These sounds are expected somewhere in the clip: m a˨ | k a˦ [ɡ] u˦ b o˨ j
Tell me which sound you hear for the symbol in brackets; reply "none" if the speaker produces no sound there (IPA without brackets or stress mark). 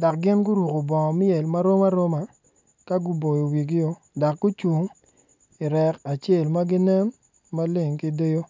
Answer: ɡ